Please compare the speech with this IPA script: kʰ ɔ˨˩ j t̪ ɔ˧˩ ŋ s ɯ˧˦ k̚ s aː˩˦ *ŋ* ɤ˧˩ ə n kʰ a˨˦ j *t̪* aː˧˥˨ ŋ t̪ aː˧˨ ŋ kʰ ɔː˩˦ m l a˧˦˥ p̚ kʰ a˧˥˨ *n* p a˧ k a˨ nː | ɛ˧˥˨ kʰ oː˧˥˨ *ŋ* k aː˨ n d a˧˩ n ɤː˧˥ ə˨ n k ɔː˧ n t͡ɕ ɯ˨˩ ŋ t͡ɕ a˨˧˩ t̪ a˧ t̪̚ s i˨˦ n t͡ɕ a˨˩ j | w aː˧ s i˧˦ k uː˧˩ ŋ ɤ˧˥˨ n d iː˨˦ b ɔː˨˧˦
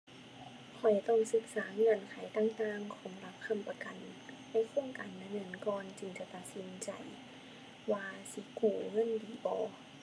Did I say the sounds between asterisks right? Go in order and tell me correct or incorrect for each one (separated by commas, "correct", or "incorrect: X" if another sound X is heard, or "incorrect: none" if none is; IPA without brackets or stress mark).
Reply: correct, correct, incorrect: m, correct